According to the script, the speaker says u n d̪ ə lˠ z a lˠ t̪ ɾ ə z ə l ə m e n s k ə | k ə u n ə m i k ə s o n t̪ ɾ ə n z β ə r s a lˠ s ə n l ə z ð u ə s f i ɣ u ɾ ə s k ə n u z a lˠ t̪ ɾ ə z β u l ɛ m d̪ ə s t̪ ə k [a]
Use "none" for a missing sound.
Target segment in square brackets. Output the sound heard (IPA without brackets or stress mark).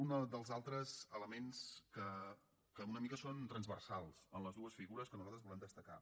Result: a